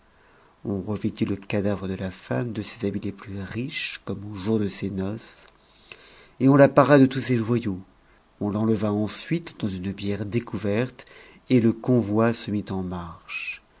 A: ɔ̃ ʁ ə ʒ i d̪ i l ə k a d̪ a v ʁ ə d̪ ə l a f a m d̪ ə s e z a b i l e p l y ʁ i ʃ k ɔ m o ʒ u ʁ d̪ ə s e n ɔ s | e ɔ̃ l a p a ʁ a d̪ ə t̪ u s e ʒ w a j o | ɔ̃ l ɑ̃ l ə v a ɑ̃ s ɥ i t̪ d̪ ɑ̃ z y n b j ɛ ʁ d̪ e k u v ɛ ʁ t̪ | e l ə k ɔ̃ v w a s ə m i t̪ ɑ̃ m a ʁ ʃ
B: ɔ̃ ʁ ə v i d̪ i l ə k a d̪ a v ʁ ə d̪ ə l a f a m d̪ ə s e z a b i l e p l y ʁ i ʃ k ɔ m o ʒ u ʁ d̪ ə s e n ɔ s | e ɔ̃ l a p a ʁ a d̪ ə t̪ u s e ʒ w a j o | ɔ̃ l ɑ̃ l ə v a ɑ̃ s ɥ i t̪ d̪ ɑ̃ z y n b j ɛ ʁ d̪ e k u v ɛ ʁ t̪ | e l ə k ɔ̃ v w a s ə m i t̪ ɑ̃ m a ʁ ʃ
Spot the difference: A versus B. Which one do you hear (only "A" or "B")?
B